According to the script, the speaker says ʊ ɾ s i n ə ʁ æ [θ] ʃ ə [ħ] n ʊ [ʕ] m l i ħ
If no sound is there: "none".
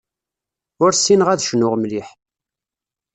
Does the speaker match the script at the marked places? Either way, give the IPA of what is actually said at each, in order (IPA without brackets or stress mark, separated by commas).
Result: ð, none, ʁ